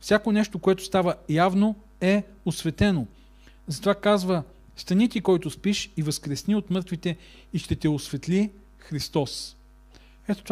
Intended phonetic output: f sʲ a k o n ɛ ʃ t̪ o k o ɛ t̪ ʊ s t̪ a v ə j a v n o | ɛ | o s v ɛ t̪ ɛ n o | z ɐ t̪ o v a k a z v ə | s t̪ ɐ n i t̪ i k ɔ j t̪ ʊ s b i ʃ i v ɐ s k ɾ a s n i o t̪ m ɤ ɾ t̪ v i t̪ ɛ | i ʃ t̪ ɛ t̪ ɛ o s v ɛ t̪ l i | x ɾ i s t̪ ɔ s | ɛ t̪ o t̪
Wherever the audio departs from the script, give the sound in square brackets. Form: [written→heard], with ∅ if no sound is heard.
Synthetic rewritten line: f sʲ a k o n ɛ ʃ t̪ o k o ɛ t̪ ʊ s t̪ a v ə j a v n o | ɛ | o s v ɛ t̪ ɛ n o | z ɐ t̪ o v a k a z v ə | s t̪ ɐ n i t̪ i k ɔ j t̪ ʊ s [b→p] i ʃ i v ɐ s k ɾ [a→ɛ] s n i o t̪ m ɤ ɾ t̪ v i t̪ ɛ | i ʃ t̪ ɛ t̪ ɛ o s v ɛ t̪ l i | x ɾ i s t̪ ɔ s | ɛ t̪ o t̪